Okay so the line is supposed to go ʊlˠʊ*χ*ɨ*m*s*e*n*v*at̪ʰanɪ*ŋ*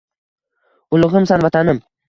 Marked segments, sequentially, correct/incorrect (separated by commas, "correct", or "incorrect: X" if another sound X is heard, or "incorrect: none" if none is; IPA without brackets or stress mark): incorrect: ʁ, correct, incorrect: a, correct, incorrect: m